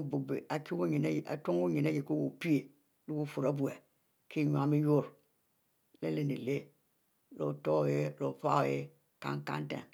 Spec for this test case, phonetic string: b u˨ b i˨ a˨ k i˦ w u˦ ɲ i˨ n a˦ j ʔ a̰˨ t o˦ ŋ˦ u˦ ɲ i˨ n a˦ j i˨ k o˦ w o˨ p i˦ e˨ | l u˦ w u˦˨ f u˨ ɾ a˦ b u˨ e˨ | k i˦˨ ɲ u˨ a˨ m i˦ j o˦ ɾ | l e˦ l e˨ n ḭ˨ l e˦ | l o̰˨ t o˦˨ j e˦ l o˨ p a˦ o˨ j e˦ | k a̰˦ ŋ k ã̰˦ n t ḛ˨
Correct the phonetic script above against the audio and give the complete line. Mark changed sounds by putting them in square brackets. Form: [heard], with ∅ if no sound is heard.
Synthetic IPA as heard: b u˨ b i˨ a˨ k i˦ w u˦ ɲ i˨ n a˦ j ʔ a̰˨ t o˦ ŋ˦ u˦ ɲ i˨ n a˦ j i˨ k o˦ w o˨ p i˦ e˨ | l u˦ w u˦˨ f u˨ ɾ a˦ b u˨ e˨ | k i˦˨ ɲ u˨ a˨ m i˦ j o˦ ɾ | l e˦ l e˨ n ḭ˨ l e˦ | l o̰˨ t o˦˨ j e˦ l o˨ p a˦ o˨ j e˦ | k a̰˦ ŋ k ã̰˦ n t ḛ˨